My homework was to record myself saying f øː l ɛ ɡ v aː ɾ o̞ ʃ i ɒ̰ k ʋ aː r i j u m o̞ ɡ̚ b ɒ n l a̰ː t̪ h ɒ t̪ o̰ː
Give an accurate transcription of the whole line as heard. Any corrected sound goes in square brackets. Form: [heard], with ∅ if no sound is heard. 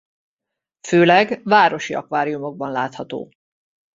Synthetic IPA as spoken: f øː l ɛ ɡ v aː ɾ o̞ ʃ i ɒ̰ k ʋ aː [ɾ] i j u m o̞ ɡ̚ b ɒ n l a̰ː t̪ h ɒ t̪ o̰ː